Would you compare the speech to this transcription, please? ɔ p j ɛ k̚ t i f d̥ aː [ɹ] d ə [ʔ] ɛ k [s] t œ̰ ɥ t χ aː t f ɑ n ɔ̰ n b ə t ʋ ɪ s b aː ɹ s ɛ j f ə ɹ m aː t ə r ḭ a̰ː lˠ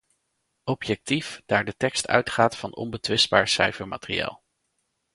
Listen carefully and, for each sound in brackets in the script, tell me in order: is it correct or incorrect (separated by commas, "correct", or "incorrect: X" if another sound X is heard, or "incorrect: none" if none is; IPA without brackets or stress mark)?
correct, incorrect: t, correct